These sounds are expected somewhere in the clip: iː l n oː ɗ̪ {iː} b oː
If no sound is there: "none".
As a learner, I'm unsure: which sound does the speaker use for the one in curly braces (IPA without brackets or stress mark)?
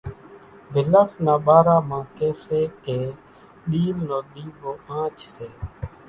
iː